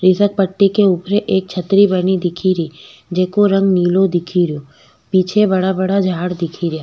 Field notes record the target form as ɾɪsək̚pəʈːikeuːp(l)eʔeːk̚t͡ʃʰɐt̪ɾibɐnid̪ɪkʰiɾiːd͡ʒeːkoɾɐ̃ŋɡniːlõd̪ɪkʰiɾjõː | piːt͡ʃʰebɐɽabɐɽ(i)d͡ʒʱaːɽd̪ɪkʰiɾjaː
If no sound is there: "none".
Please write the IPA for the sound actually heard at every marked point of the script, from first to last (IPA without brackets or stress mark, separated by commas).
ɾ, a